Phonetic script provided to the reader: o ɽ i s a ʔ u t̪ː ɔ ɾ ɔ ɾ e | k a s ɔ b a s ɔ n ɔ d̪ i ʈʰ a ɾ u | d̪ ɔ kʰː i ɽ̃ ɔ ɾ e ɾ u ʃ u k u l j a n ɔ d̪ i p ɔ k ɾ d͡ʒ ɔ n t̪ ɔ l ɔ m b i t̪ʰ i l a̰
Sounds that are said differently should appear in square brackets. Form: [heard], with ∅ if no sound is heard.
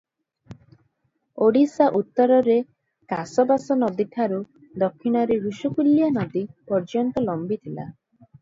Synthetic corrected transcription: o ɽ i s a ʔ u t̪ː ɔ ɾ ɔ ɾ e | k a s ɔ b a s ɔ n ɔ d̪ i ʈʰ a ɾ u | d̪ ɔ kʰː i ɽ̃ ɔ ɾ e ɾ u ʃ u k u l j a n ɔ d̪ i p ɔ [∅] ɾ d͡ʒ ɔ n t̪ ɔ l ɔ m b i t̪ʰ i l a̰